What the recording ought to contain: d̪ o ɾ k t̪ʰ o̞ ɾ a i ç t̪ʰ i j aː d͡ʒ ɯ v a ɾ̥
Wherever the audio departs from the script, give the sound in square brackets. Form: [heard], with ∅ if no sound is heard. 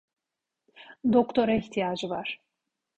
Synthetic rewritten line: d̪ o [∅] k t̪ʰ o̞ ɾ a i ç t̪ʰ i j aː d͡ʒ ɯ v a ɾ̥